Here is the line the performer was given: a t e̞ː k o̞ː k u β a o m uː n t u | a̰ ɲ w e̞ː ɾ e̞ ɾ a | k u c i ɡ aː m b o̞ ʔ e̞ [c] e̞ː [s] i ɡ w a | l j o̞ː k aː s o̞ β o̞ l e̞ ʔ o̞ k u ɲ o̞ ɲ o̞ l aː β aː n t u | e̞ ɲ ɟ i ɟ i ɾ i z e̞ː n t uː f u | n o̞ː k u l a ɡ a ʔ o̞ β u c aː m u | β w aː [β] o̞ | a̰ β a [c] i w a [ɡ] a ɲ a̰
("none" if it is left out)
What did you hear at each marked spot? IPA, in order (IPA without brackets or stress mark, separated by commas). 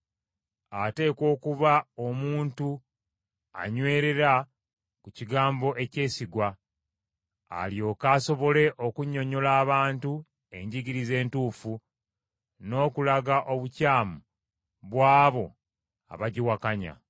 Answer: c, s, β, ɟ, k